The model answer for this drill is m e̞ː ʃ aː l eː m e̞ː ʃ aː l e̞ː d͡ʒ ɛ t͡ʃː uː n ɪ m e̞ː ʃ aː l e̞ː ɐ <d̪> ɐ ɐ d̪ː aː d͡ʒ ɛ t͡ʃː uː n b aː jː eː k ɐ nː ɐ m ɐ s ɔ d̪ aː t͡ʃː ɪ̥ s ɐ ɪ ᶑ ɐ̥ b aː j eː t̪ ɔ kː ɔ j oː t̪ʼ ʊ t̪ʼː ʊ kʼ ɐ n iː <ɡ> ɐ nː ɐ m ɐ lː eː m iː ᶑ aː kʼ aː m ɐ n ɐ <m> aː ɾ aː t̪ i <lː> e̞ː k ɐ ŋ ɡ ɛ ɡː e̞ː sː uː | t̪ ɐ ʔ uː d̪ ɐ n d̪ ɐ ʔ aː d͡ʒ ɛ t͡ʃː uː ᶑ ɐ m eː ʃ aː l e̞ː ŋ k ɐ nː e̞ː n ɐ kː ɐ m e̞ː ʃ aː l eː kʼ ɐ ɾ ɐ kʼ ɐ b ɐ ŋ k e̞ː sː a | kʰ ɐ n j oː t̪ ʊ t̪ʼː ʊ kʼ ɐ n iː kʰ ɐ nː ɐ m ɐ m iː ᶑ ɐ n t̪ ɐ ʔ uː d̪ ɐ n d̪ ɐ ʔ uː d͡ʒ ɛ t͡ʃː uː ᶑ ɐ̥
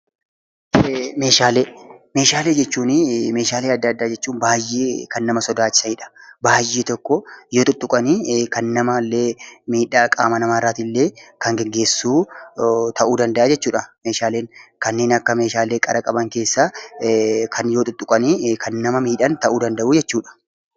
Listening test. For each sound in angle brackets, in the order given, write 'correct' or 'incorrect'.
incorrect: d̪ː, incorrect: k, correct, correct

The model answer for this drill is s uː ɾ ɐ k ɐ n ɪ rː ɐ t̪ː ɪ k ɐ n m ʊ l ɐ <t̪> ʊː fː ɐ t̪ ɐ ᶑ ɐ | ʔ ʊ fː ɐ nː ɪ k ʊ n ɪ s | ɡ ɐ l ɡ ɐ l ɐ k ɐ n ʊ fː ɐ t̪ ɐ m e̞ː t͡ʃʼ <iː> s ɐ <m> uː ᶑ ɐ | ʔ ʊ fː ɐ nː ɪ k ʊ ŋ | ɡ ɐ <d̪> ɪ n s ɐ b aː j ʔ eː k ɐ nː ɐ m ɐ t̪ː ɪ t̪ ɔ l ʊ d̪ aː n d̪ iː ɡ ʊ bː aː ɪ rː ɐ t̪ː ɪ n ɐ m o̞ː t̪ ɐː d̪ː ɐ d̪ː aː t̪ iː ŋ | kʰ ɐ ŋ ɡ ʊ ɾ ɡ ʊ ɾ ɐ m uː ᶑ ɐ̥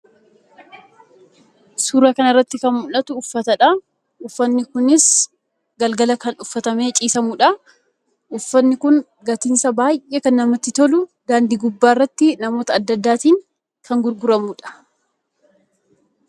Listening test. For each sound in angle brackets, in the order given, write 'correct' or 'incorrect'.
correct, correct, correct, incorrect: t̪

